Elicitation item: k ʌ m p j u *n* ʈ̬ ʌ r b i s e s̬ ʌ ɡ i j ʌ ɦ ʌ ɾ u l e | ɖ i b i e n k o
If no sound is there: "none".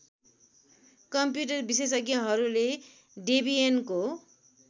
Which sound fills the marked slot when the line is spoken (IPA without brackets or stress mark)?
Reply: none